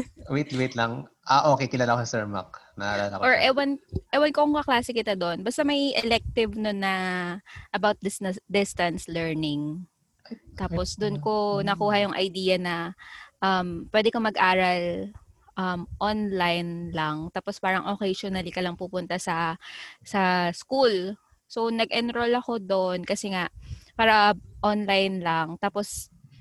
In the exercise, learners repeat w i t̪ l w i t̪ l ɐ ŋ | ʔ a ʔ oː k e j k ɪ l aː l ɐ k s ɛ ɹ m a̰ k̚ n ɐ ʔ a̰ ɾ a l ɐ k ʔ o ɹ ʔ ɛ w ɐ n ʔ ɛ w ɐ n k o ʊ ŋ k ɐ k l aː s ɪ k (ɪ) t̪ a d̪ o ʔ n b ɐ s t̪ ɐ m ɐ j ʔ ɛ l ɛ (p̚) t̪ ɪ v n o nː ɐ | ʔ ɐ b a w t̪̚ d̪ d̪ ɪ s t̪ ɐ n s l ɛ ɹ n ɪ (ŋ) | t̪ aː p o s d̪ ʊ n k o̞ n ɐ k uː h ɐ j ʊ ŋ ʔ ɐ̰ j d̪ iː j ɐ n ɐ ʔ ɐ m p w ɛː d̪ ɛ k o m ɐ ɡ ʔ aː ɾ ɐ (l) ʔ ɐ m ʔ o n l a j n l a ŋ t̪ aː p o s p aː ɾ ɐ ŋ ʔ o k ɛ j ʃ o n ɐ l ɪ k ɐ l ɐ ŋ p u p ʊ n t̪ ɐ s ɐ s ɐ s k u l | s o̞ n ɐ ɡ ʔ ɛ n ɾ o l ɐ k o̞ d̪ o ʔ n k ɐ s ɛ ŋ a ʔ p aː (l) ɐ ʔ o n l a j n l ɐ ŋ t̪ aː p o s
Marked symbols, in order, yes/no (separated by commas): yes, no, yes, yes, no